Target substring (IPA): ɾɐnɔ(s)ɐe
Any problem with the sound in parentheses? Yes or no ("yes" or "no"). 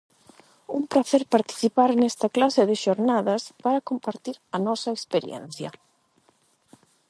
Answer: no